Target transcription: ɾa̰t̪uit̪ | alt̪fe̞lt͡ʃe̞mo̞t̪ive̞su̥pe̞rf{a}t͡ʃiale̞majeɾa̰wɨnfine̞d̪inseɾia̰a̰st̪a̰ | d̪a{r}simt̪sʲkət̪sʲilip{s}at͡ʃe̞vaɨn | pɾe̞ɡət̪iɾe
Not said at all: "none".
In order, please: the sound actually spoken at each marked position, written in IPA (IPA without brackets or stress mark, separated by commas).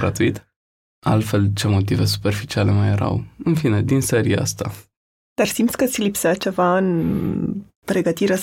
i, r, s